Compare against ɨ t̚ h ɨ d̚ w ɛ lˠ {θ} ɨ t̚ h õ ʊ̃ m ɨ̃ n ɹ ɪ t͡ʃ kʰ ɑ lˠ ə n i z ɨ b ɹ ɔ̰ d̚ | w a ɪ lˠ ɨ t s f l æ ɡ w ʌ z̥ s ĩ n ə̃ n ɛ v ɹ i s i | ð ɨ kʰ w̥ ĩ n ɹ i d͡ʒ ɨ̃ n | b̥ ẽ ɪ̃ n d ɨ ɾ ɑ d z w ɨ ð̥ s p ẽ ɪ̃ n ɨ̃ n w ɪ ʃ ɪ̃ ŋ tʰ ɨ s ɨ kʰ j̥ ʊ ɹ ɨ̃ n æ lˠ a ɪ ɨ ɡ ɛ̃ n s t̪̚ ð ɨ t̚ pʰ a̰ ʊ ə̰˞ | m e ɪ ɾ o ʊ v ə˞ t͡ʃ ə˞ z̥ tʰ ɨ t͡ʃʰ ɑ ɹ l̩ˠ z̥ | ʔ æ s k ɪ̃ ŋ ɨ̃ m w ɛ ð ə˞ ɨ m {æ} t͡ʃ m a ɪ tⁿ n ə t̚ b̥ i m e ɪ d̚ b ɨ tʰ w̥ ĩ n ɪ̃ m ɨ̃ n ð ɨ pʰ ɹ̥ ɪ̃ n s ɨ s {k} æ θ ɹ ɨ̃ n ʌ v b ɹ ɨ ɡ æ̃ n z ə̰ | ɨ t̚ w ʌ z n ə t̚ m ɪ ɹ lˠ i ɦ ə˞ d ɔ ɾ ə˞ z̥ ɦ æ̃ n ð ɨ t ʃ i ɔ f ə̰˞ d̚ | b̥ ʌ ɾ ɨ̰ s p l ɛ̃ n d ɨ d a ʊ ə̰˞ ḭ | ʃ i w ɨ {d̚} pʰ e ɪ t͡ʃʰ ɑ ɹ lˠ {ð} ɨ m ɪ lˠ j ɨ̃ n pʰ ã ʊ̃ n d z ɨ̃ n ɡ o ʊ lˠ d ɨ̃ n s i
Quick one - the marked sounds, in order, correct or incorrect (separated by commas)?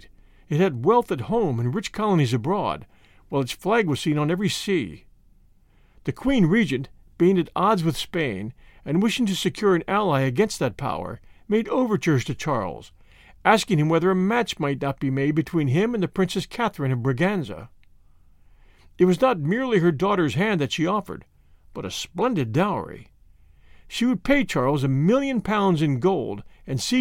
correct, correct, incorrect, correct, incorrect